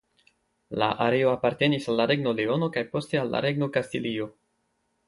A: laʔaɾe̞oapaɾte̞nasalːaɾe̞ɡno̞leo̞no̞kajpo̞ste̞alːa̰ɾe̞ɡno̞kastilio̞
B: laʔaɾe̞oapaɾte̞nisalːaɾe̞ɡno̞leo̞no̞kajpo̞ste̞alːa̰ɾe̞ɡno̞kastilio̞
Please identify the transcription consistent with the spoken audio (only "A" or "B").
B